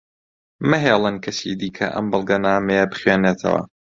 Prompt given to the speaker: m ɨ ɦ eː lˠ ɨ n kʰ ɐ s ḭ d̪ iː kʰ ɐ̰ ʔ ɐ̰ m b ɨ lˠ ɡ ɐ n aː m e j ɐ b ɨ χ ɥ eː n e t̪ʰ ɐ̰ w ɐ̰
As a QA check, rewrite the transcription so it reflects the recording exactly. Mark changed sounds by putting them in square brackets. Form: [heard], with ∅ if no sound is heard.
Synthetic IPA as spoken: m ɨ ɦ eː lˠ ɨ n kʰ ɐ s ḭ d̪ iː kʰ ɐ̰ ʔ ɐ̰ m b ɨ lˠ ɡ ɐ n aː m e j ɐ b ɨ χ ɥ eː n e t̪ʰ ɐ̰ w ɐ̰